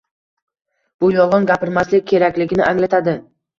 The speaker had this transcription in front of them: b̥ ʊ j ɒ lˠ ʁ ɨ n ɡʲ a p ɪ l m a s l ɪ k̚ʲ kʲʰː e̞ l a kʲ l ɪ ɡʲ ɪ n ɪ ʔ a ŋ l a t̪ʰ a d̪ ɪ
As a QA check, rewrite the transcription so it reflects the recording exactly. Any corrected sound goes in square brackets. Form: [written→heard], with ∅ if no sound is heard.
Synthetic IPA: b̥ ʊ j ɒ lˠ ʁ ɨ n ɡʲ a p ɪ [l→ɾ] m a s l ɪ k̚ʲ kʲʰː e̞ [l→ɾ] a kʲ l ɪ ɡʲ ɪ n ɪ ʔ a ŋ l a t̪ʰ a d̪ ɪ